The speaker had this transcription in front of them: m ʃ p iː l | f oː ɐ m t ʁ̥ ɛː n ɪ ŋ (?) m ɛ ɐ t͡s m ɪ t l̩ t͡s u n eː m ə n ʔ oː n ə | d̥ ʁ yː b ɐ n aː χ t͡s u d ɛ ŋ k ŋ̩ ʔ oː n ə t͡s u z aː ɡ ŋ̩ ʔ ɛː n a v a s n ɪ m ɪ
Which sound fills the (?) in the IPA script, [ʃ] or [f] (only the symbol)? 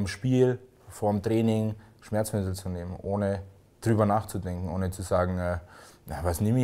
ʃ